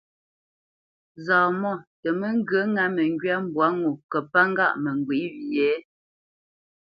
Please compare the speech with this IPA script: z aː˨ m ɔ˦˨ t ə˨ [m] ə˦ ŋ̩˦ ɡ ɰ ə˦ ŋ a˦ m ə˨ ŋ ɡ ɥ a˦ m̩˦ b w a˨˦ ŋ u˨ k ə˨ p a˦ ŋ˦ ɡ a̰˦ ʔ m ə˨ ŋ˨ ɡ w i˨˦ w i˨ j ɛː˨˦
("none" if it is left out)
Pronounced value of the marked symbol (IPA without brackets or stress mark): m